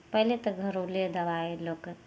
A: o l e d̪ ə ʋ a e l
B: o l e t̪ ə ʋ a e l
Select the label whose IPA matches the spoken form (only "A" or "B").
A